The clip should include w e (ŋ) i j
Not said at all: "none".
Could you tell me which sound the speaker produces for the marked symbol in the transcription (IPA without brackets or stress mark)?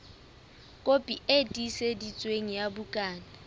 ŋ